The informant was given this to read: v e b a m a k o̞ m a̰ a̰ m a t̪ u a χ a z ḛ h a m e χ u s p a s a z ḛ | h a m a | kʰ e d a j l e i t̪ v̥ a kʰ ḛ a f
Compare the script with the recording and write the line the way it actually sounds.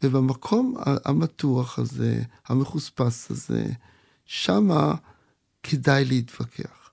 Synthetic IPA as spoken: v e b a m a kʰ o̞ m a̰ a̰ m a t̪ u a χ a z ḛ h a m e χ u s p a s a z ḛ | ʃ a m a | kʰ e d a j l e i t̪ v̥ a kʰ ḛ a χ